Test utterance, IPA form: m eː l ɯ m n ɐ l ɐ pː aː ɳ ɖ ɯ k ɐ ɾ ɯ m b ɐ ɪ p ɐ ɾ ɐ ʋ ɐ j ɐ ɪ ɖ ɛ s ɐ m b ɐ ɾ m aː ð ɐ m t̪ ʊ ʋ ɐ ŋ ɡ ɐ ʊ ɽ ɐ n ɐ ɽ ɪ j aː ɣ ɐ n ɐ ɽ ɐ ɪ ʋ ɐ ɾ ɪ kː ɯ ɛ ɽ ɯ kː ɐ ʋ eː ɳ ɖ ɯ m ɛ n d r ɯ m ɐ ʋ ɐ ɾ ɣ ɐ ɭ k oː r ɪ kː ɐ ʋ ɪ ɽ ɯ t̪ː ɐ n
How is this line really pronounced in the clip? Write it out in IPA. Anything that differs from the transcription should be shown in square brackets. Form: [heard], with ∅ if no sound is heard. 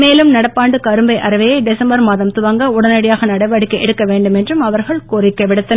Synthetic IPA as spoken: m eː l ɯ m n ɐ [ɽ] ɐ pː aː ɳ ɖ ɯ k ɐ ɾ ɯ m b ɐ ɪ [ʔ] ɐ ɾ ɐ ʋ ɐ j ɐ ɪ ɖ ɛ s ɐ m b ɐ ɾ m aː ð ɐ m t̪ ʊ ʋ ɐ ŋ ɡ ɐ ʊ ɽ ɐ n ɐ ɽ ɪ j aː ɣ ɐ n ɐ ɽ ɐ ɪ ʋ ɐ [ɽ] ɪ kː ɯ ɛ ɽ ɯ kː ɐ ʋ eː ɳ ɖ ɯ m ɛ n d r ɯ m ɐ ʋ ɐ ɾ ɣ ɐ ɭ k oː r ɪ kː ɐ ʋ ɪ ɽ ɯ t̪ː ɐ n